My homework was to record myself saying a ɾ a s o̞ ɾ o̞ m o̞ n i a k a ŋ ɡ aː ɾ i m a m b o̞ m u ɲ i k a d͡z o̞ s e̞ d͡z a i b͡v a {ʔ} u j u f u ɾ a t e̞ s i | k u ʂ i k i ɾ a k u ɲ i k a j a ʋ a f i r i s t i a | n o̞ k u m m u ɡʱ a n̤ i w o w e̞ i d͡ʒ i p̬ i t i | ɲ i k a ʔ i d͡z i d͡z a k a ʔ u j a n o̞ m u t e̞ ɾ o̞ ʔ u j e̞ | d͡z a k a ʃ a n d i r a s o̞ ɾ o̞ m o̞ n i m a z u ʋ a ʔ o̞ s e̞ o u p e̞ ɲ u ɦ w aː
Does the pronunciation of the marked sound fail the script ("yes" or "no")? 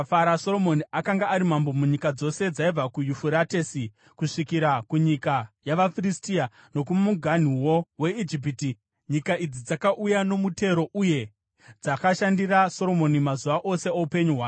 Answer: yes